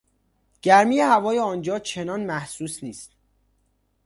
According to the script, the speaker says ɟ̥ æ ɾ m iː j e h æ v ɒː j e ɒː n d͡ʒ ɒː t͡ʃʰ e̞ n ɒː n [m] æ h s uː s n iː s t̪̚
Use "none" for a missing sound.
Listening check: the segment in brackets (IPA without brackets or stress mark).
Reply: m